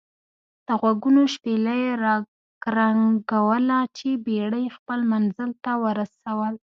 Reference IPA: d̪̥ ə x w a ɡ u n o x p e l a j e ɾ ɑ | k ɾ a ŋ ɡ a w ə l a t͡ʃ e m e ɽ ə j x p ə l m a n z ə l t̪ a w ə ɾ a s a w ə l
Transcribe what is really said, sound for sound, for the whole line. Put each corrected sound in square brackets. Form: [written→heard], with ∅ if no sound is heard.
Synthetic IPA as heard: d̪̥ ə [x→ɣ] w a ɡ u n o [x→ʃ] p e l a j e ɾ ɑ | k ɾ a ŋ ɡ a w ə l a t͡ʃ e [m→b] e ɽ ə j x p ə l m a n z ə l t̪ a w ə ɾ a s a w ə l